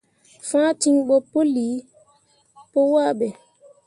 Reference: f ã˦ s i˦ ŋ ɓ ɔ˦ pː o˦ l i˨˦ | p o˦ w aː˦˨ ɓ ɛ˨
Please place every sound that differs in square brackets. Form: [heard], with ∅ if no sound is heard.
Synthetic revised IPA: f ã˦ [t] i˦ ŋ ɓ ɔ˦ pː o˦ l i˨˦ | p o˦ w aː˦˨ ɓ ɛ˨